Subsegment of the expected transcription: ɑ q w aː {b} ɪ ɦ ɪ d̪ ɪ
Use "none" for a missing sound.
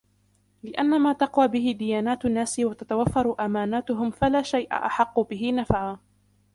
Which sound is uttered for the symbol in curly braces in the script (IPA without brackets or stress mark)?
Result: b